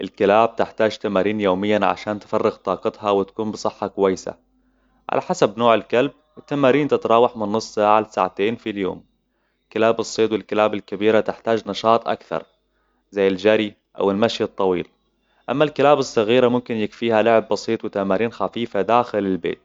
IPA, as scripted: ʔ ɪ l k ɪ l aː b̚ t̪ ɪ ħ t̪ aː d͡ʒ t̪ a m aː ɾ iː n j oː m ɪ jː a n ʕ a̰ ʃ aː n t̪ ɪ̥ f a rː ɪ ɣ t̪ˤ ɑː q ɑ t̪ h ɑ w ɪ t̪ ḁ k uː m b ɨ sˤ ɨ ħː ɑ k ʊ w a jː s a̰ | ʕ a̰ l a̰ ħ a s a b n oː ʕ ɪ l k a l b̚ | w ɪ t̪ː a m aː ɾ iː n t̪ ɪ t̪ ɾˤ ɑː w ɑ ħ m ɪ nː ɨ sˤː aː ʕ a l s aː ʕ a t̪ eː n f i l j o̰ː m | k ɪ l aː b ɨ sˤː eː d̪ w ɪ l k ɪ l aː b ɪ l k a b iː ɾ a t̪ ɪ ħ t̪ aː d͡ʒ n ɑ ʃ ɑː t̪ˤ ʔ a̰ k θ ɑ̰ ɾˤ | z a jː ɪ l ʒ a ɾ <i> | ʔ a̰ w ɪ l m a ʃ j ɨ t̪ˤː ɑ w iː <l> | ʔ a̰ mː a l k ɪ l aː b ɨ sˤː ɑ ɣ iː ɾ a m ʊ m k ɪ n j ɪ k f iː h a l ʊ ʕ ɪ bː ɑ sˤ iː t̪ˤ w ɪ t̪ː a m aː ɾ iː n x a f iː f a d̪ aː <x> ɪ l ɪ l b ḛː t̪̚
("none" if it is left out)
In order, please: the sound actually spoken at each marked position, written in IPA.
i, l, x

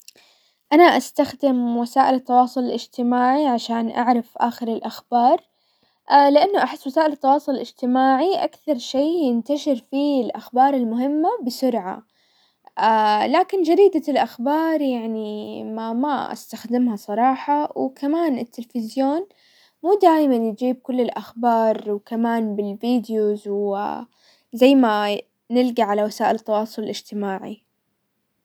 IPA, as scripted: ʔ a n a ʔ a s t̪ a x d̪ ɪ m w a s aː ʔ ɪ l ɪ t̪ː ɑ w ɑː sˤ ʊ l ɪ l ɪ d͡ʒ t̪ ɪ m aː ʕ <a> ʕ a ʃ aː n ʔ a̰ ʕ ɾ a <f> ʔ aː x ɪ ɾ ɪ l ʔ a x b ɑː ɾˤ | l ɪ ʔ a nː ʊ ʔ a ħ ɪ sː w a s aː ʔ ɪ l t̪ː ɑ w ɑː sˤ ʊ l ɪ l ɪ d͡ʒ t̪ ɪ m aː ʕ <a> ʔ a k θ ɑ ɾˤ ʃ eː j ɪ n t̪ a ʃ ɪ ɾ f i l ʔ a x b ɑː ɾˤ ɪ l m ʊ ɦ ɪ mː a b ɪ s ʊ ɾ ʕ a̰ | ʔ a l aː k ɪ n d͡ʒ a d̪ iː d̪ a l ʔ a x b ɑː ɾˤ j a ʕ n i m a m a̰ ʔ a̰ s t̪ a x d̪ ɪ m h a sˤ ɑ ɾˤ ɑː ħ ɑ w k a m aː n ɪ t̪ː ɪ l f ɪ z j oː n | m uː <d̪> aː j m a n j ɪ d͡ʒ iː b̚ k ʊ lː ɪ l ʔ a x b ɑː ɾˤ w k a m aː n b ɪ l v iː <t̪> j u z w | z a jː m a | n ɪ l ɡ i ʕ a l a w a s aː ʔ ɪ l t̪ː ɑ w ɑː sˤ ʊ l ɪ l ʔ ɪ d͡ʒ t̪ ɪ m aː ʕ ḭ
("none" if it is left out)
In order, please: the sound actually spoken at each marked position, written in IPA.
i, f, i, d̪, d̪

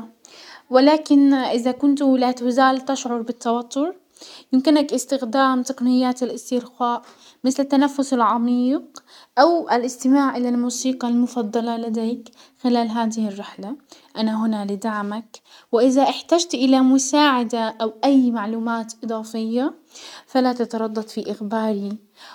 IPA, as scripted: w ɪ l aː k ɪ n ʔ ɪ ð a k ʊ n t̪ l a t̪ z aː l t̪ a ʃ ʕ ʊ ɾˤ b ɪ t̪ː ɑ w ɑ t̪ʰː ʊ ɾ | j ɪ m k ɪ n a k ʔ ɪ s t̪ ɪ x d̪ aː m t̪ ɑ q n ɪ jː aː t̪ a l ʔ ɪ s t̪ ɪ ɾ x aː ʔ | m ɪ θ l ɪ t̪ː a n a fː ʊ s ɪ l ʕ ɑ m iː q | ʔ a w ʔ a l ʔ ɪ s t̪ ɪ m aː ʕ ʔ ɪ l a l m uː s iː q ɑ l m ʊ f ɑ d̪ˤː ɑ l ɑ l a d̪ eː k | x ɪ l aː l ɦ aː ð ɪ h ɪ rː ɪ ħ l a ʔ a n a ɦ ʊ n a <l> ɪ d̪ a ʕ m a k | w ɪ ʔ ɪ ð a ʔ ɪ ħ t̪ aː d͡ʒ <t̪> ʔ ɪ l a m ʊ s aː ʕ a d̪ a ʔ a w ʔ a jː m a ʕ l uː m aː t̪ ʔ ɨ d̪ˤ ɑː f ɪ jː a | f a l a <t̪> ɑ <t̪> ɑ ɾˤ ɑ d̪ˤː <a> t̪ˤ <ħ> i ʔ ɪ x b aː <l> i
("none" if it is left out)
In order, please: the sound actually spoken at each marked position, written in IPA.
l, t̪, t̪, t̪, ɑ, f, ɾ

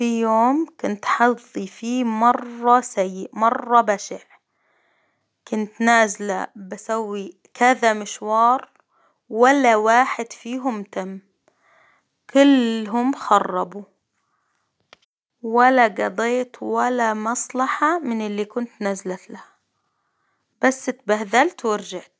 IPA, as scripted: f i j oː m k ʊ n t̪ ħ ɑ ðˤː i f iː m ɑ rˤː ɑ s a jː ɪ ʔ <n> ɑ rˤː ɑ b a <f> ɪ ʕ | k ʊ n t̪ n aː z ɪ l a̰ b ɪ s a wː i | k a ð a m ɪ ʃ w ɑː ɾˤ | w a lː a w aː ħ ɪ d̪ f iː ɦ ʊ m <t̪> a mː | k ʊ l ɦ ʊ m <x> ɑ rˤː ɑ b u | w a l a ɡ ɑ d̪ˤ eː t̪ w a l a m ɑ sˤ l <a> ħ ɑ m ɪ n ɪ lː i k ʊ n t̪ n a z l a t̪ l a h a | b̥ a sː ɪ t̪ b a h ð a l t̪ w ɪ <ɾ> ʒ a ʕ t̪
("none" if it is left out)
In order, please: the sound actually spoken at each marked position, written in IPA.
m, ʃ, t̪, x, ɑ, ɾ

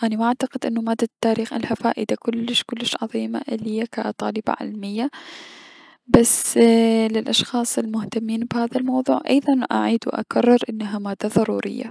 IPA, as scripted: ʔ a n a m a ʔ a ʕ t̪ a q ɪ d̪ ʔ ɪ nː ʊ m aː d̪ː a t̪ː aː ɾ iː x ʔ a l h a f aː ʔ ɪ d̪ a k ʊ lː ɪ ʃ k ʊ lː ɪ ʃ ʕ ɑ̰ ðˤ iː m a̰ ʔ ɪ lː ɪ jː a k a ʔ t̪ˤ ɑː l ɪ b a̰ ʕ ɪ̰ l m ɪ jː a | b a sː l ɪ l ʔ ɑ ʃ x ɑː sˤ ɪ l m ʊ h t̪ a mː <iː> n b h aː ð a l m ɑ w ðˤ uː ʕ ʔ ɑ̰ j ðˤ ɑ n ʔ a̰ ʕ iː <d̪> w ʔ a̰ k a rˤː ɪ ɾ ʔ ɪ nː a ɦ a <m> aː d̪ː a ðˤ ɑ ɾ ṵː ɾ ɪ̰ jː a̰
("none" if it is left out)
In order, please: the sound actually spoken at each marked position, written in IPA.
iː, d̪, m

